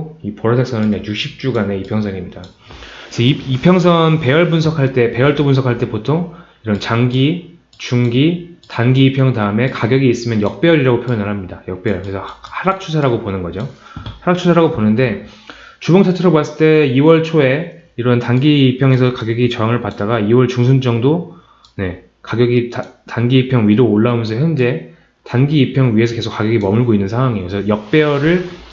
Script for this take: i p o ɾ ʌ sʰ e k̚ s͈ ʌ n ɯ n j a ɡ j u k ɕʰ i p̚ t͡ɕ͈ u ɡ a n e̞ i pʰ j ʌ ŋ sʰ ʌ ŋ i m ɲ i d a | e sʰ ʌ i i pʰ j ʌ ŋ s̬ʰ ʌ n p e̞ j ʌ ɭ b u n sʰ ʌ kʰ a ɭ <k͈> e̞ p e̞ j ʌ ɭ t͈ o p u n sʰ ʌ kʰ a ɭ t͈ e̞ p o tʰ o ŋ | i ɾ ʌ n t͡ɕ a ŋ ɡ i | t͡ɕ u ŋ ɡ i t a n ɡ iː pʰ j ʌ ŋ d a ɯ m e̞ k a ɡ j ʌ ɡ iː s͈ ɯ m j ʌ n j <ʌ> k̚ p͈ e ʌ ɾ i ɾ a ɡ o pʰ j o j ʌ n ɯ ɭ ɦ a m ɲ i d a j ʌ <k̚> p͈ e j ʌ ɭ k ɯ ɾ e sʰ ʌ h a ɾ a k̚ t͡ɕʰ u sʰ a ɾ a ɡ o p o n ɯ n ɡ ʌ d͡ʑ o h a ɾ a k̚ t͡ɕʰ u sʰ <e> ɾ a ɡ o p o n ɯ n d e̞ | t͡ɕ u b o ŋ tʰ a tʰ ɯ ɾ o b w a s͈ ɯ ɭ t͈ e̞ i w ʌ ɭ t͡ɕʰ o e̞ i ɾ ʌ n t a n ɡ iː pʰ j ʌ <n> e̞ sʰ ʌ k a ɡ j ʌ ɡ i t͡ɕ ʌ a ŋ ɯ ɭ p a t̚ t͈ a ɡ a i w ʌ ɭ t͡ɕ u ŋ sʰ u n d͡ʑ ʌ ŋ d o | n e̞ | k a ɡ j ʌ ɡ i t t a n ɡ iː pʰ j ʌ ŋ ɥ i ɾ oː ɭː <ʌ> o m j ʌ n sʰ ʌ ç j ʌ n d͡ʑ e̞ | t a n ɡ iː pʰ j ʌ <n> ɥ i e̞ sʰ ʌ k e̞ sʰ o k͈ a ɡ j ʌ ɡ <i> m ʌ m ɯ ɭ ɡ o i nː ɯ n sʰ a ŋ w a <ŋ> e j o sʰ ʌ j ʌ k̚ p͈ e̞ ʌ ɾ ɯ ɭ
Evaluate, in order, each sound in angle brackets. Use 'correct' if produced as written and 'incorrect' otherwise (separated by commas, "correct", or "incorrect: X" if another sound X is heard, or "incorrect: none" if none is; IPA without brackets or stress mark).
incorrect: t͈, correct, correct, incorrect: a, incorrect: ŋ, incorrect: a, incorrect: ŋ, correct, correct